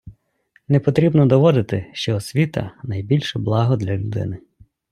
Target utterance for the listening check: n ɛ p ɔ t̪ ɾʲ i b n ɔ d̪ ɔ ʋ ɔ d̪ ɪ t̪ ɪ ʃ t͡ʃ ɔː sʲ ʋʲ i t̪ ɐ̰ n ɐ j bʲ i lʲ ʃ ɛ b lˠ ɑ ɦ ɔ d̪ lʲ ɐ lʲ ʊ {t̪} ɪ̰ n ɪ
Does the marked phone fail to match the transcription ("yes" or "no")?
yes